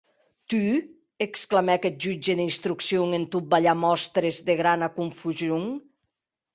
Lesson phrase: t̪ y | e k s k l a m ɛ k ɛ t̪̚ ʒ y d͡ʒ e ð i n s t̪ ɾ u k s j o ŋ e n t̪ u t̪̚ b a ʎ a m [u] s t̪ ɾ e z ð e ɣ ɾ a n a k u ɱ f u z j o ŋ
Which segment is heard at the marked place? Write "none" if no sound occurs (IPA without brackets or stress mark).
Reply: ɔ